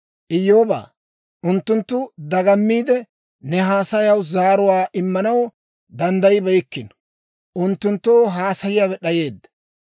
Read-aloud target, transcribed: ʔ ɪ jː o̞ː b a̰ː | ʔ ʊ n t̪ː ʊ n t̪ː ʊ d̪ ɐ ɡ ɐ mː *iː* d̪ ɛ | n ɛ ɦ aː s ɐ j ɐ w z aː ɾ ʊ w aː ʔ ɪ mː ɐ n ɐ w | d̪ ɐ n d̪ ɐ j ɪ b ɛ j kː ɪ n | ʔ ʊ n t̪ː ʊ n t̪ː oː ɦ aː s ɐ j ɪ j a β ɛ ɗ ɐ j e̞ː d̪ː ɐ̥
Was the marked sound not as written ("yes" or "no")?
no